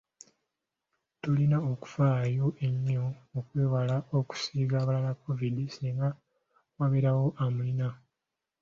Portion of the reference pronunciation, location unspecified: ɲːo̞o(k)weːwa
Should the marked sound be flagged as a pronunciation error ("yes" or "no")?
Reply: no